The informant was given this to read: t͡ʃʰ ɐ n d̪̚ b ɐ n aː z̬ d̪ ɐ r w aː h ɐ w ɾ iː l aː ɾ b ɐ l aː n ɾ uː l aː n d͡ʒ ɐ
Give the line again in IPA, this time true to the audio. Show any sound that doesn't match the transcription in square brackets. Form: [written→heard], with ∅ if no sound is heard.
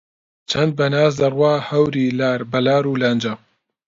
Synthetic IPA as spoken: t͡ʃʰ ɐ n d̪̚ b ɐ n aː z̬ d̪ ɐ r w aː h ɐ w ɾ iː l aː ɾ b ɐ l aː [n→∅] ɾ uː l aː n d͡ʒ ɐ